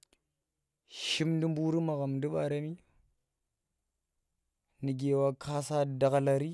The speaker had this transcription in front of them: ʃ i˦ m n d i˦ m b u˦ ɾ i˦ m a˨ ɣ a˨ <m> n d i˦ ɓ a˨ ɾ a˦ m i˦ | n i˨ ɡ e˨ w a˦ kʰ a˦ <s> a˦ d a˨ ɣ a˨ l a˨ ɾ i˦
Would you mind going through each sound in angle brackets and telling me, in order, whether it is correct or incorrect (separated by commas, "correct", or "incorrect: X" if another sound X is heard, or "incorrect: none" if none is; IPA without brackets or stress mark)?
correct, correct